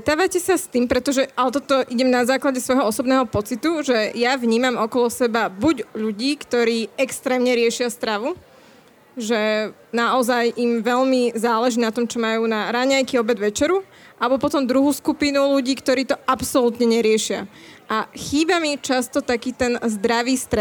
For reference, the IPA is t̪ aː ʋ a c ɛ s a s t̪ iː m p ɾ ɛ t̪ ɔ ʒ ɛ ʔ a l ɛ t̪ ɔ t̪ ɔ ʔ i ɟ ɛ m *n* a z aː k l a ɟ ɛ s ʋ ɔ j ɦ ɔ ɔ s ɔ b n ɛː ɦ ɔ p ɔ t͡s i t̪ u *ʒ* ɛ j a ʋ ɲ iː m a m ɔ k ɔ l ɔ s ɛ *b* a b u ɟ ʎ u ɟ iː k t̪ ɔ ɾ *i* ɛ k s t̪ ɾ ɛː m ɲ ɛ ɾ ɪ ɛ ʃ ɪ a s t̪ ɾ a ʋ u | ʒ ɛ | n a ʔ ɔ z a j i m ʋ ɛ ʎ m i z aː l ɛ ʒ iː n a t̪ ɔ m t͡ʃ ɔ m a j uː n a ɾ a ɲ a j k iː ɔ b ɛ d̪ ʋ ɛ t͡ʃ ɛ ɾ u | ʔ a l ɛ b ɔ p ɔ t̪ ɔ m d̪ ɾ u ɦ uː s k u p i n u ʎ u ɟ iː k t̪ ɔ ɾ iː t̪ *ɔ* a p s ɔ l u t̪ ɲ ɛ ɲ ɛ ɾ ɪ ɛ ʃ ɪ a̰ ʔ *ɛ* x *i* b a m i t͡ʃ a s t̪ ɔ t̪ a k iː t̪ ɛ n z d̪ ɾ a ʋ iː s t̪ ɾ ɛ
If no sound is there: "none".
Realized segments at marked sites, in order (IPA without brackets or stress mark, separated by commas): n, ʒ, b, iː, ɔ, a, iː